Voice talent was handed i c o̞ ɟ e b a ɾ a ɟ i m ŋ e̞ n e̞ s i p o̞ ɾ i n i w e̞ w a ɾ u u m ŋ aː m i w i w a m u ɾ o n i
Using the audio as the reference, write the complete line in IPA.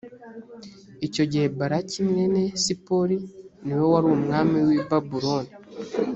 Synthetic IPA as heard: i c o̞ ɟ e b a ɾ a c i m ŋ e̞ n e̞ s i p o̞ ɾ i n i w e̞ w a ɾ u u m ŋ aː m i w i b a b u ɾ o n i